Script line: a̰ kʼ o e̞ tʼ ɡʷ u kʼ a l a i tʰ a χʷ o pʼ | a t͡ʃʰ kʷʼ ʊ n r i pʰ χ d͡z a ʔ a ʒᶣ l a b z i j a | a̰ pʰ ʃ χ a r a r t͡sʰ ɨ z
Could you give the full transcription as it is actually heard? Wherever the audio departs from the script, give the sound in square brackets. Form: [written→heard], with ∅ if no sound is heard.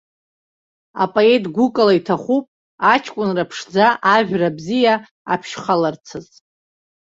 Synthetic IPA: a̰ [kʼ→pʼ] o e̞ tʼ ɡʷ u kʼ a l a i tʰ a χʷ [o→u] pʼ | a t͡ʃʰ kʷʼ ʊ n r [i→a] pʰ [χ→ʂ] d͡z a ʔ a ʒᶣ [l→r] a b z i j a | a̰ pʰ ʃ χ a [r→l] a r t͡sʰ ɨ z